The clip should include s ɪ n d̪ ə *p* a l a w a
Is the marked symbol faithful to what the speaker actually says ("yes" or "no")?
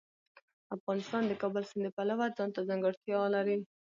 yes